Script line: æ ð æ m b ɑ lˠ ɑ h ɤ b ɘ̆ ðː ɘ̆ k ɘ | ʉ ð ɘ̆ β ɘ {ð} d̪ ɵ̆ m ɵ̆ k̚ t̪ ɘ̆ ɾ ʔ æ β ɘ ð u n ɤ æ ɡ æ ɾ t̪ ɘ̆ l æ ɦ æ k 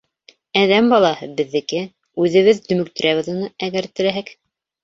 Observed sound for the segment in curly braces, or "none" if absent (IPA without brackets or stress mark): ð